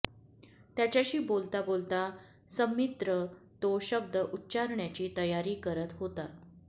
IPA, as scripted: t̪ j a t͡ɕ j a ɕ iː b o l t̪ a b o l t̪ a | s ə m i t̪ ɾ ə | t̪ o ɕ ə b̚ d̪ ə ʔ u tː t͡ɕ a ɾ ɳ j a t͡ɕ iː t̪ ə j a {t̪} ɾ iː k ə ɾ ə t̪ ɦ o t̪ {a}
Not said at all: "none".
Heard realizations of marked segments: none, a

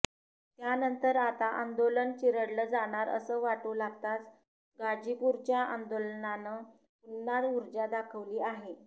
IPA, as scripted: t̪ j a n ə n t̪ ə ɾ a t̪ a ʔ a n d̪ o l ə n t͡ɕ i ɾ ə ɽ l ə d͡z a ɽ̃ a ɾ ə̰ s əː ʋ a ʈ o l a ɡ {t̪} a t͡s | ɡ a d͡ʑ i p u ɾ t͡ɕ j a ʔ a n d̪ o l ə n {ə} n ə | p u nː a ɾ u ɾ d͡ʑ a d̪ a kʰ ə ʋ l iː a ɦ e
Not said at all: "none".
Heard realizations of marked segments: t̪, a

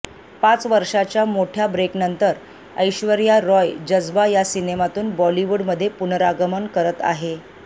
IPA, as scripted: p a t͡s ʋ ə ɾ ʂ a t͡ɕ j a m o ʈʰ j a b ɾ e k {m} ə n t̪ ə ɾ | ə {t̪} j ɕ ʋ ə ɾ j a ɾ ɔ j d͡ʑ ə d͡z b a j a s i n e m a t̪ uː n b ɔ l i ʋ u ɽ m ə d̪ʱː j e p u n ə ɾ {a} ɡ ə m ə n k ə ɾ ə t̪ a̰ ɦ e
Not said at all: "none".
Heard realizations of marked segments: n, none, a

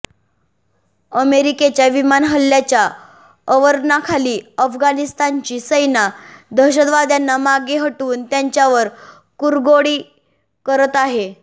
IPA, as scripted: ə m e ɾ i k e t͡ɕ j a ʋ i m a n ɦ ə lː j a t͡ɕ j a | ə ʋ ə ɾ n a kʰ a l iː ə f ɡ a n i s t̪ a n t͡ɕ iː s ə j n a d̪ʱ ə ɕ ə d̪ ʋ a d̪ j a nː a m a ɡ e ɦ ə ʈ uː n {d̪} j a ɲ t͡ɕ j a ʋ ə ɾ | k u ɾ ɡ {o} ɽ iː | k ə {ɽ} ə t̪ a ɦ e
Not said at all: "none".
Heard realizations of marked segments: t̪, o, ɾ

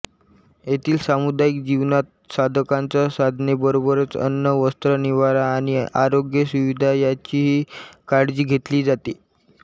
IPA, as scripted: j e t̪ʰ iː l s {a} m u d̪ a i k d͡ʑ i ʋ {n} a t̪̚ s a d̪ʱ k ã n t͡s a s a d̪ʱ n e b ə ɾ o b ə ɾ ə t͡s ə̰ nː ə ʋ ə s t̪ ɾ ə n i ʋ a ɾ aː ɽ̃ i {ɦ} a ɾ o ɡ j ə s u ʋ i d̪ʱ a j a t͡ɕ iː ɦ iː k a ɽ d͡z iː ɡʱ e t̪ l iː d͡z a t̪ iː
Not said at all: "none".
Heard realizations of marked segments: a, n, none

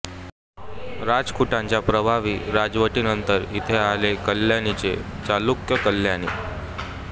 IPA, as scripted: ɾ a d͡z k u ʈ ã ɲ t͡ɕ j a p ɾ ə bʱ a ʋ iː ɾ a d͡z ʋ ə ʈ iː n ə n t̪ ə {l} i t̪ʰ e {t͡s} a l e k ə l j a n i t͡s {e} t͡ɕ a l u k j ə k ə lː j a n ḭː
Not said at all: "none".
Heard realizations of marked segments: ɾ, none, e

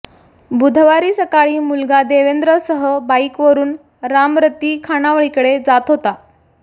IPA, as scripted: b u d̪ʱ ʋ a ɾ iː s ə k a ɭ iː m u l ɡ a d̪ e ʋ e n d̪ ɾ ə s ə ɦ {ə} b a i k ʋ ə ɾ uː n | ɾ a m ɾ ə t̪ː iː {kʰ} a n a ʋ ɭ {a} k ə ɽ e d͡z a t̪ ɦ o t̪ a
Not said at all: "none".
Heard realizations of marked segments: ə, kʰ, i

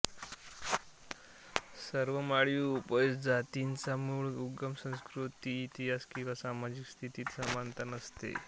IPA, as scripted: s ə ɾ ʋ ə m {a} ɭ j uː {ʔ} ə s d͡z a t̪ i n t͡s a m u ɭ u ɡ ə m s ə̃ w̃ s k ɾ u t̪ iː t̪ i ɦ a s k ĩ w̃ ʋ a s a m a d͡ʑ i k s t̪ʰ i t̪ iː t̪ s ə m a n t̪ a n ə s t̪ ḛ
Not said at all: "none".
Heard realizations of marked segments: a, p

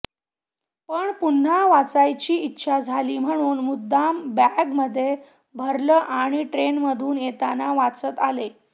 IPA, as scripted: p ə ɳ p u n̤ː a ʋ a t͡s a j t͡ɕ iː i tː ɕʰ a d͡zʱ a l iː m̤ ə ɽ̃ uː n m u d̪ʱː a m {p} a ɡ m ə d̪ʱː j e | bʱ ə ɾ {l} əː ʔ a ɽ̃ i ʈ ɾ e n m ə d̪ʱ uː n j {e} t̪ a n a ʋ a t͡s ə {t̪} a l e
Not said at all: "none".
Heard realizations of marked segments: b, l, e, t̪

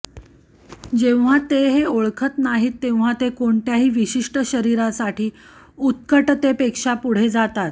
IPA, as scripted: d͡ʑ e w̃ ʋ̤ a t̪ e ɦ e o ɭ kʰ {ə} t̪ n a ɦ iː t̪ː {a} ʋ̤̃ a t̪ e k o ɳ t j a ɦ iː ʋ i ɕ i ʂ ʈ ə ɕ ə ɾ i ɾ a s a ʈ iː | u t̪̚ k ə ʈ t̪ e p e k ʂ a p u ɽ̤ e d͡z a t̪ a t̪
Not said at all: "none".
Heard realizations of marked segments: ə, e

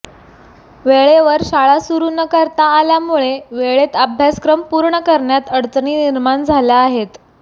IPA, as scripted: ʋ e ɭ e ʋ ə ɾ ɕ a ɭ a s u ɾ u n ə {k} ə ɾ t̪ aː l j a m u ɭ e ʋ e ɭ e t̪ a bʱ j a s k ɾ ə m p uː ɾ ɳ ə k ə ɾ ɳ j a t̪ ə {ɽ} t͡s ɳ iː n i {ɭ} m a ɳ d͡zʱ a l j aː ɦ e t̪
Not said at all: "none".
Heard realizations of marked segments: k, ɽ, ɾ

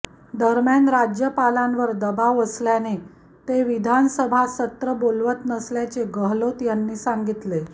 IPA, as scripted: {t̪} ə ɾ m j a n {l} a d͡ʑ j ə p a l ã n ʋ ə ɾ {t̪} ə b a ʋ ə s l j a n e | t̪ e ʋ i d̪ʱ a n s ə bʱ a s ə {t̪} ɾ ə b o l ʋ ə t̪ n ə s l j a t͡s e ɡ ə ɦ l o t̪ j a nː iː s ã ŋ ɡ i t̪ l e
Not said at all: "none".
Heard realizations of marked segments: d̪, ɾ, d̪, t̪

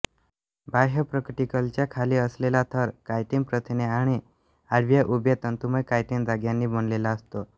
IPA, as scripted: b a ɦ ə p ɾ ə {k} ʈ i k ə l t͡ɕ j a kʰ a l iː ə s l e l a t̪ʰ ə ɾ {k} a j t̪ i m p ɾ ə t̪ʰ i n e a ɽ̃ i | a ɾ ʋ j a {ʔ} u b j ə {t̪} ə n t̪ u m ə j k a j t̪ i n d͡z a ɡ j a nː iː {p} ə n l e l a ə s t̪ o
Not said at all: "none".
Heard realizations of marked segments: k, k, ʔ, t̪, b

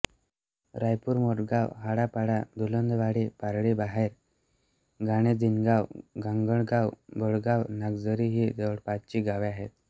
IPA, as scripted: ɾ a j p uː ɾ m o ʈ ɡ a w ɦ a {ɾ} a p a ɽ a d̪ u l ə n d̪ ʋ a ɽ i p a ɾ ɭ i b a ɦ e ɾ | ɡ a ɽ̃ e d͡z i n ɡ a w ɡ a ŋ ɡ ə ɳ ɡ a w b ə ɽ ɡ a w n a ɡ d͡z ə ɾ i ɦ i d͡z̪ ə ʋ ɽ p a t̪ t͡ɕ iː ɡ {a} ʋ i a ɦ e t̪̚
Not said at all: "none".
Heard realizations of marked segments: ɽ, a

